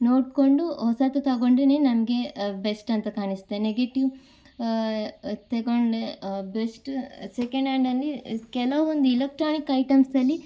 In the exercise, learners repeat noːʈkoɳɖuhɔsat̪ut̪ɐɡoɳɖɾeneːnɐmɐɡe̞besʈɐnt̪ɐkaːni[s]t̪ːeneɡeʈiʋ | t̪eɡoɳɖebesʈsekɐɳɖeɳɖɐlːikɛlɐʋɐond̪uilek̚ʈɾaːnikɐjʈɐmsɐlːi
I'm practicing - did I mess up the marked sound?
no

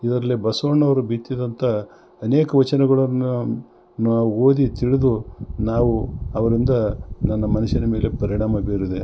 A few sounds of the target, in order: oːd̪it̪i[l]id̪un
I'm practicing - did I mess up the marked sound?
yes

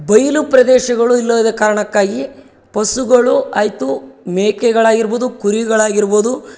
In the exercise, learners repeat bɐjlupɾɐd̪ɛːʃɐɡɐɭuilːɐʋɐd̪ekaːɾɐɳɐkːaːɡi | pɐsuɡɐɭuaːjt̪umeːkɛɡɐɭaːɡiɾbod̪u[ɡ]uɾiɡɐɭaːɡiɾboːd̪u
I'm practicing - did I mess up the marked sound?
yes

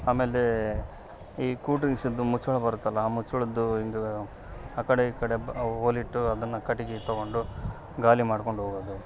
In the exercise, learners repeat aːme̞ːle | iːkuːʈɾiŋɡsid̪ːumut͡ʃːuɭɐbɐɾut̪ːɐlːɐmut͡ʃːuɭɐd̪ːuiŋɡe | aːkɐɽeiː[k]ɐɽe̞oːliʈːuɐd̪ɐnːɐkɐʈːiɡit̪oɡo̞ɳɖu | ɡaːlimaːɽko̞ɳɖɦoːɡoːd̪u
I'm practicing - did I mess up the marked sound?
no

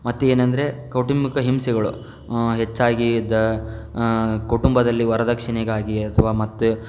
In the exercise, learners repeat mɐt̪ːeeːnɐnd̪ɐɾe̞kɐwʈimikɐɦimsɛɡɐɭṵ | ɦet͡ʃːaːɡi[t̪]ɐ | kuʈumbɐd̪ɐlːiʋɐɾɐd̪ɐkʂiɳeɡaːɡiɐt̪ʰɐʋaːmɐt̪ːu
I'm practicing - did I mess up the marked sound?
yes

